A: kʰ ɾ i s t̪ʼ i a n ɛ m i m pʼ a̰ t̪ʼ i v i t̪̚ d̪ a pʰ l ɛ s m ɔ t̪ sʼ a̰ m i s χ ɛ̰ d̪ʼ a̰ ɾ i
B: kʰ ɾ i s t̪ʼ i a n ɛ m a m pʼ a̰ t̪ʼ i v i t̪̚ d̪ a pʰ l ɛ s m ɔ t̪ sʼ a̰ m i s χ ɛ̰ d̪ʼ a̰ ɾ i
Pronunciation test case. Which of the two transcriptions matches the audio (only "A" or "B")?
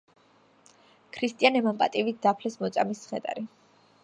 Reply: B